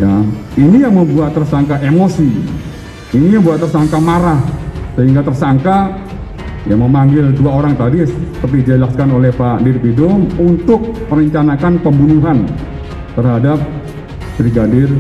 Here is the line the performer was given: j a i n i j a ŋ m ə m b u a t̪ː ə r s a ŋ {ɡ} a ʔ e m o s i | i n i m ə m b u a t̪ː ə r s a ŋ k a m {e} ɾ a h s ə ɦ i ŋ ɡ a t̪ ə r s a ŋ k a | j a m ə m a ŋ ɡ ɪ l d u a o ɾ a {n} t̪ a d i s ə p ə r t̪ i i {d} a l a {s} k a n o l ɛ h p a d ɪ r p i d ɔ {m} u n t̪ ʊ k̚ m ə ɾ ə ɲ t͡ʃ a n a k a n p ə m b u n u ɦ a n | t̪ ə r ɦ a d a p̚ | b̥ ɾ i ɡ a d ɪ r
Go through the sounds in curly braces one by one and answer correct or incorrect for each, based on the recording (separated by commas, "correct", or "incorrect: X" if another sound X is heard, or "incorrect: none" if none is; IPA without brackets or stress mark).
incorrect: k, incorrect: a, incorrect: ŋ, incorrect: d͡ʒ, correct, correct